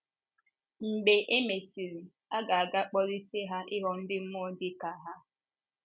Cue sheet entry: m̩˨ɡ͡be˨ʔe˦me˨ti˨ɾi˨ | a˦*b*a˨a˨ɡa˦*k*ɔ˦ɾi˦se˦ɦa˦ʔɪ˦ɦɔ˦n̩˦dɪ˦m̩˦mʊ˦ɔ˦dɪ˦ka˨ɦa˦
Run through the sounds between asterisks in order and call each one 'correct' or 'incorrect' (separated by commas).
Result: incorrect, incorrect